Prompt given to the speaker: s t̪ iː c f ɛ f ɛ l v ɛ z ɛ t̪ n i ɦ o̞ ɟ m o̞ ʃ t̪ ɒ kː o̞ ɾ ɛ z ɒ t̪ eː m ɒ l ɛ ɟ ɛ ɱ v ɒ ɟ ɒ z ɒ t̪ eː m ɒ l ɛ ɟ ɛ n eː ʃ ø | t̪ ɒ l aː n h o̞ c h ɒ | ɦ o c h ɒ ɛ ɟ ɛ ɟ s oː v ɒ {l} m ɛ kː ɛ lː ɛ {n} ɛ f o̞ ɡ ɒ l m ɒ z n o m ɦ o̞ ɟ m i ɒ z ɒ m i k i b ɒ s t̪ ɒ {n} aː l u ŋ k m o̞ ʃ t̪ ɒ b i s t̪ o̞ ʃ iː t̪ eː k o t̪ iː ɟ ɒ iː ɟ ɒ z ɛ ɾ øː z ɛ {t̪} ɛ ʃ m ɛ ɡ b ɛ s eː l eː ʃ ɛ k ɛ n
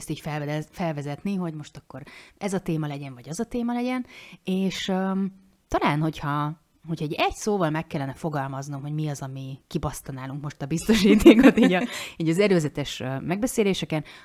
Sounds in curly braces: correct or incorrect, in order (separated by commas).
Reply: correct, correct, correct, correct